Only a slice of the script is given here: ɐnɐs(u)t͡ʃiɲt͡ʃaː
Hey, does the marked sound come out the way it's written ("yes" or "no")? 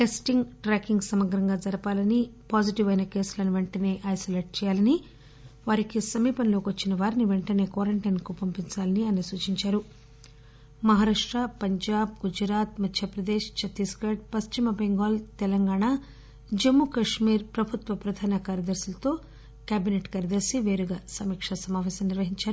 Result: no